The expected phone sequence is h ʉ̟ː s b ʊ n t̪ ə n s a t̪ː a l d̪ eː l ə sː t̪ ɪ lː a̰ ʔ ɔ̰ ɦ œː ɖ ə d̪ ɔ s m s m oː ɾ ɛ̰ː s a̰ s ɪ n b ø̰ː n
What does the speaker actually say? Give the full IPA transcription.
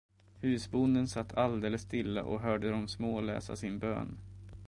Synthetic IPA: h ʉ̟ː s b ʊ n d̪ ə n s a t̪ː a l d̪ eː l ə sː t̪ ɪ lː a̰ ʔ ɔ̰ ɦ œː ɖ ə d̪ ɔ m s m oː l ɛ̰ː s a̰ s ɪ n b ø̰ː n

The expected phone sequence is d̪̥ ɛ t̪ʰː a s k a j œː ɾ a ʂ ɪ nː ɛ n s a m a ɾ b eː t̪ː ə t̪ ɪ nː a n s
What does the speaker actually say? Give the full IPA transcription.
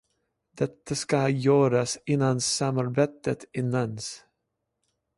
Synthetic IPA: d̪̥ ɛ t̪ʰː a s k a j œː ɾ a s ɪ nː a n s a m a ɾ b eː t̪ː ə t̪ ɪ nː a n s

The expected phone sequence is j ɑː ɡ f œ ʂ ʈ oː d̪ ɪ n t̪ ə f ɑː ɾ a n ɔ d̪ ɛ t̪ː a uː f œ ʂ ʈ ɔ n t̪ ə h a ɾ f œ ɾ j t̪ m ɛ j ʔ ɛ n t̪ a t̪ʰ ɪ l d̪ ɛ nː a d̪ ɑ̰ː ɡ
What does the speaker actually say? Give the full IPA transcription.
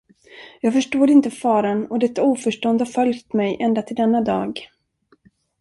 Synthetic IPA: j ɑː ɡ f œ ʂ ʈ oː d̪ ɪ n t̪ ə f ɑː ɾ a n ɔ d̪ ɛ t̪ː a uː f œ ʂ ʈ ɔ n d̪ ə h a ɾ f œ l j t̪ m ɛ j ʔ ɛ n d̪ a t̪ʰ ɪ l d̪ ɛ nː a d̪ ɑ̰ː ɡ

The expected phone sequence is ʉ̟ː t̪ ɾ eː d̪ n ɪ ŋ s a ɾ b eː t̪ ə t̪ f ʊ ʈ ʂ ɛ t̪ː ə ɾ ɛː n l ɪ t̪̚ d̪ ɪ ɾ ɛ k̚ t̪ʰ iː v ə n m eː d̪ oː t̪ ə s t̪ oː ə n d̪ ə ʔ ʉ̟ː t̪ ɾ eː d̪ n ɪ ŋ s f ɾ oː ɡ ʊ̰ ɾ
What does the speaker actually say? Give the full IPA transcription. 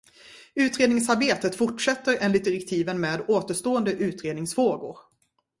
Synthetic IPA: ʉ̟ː t̪ ɾ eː d̪ n ɪ ŋ s a ɾ b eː t̪ ə t̪ f ʊ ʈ ʂ ɛ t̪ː ə ɾ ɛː n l ɪ t̪̚ d̪ ɪ ɾ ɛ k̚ t̪ʰ iː v ə n m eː d̪ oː t̪ ə ʂ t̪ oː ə n d̪ ə ʔ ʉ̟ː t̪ ɾ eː d̪ n ɪ ŋ s f ɾ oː ɡ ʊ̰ ɾ

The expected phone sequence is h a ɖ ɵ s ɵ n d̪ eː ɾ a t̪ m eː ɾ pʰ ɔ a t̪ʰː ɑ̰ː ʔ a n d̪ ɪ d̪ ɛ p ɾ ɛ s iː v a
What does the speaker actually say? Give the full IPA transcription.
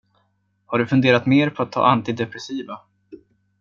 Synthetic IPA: h a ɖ ɵ f ɵ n d̪ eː ɾ a t̪ m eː ɾ pʰ ɔ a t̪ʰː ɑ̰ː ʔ a n t̪ ɪ d̪ ɛ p ɾ ɛ s iː v a

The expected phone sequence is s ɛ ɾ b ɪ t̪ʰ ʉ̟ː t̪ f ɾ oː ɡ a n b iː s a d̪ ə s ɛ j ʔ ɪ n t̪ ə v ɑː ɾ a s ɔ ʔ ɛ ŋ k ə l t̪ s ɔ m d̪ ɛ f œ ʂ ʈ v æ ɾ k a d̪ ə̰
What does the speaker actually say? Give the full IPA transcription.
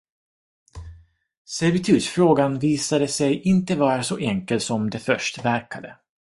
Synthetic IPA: s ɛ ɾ v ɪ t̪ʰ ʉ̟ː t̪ f ɾ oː ɡ a n v iː s a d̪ ə s ɛ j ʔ ɪ n t̪ ə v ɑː ɾ a s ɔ ʔ ɛ ŋ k ə l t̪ s ɔ m d̪ ɛ f œ ʂ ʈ v æ ɾ k a d̪ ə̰

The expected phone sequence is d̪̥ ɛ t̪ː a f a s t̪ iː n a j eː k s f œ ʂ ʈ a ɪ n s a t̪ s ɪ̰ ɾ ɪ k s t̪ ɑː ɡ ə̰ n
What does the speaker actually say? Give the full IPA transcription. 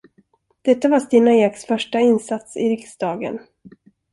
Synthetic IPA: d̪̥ ɛ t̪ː a v a s t̪ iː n a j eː k s f œ ʂ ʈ a ɪ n s a t̪ s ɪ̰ ɾ ɪ k s d̪ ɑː ɡ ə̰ n

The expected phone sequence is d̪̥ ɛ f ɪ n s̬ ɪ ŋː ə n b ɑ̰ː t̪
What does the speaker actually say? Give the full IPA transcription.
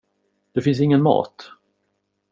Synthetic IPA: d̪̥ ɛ f ɪ n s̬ ɪ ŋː ə n m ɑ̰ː t̪

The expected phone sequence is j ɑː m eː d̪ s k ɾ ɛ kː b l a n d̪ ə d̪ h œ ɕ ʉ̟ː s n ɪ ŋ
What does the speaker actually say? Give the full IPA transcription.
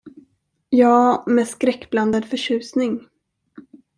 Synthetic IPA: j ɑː m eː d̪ s k ɾ ɛ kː b l a n d̪ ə d̪ f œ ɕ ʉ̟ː s n ɪ ŋ

